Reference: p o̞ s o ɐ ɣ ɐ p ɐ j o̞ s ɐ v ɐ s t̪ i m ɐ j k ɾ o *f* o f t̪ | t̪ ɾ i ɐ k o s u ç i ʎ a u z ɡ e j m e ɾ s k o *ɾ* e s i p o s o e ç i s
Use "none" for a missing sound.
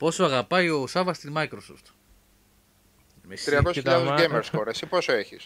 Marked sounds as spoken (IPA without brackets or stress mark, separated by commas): s, ɾ